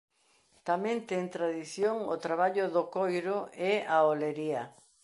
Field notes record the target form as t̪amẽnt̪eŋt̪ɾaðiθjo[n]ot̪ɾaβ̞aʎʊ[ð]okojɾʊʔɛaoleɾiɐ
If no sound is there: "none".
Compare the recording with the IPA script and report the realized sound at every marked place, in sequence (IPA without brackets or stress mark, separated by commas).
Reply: ŋ, ð